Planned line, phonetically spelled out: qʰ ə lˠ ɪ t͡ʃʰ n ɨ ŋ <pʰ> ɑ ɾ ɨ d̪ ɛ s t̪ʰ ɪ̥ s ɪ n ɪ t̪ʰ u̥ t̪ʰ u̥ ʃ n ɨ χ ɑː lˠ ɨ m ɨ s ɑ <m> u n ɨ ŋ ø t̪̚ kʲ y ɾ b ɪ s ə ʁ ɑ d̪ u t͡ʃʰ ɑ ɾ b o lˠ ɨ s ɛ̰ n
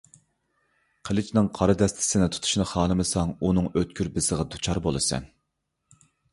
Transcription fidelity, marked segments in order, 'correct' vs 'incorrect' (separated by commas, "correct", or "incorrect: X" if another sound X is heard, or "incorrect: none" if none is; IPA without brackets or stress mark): incorrect: qʰ, incorrect: ŋ